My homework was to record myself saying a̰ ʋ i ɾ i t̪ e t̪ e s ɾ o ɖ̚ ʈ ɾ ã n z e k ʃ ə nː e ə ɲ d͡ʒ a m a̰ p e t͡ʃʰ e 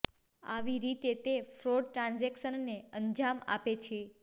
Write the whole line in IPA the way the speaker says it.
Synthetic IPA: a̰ ʋ i ɾ i t̪ e t̪ e f ɾ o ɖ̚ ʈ ɾ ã n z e k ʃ ə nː e ə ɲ d͡ʒ a m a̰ p e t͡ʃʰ e